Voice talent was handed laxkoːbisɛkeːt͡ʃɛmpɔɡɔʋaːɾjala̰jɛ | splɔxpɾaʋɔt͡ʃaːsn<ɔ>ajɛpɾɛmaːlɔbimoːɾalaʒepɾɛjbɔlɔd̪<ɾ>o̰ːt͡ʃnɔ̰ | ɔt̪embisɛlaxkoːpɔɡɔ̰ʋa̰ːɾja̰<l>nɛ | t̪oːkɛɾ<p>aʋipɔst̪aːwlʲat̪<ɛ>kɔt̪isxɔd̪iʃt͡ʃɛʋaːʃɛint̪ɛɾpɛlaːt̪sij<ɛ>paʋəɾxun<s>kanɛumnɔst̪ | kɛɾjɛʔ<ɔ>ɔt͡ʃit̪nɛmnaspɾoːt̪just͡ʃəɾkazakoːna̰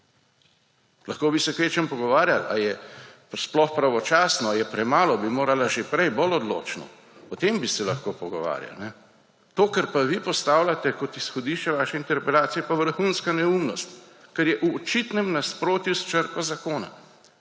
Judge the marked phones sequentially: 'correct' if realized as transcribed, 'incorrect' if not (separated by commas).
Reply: correct, incorrect, correct, correct, correct, correct, correct, incorrect